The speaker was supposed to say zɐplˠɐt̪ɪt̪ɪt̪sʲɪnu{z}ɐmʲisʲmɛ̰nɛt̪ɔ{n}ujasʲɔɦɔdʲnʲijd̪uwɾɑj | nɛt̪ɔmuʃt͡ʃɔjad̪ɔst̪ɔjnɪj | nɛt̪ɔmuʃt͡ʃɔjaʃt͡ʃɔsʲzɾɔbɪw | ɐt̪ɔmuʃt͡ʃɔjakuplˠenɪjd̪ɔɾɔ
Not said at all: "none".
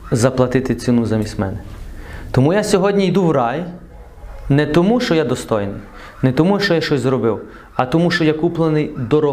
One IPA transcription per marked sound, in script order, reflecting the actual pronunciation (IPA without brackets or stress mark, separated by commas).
z, m